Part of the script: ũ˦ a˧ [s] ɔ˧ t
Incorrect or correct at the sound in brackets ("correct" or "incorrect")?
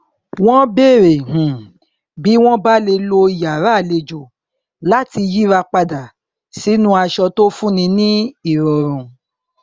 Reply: incorrect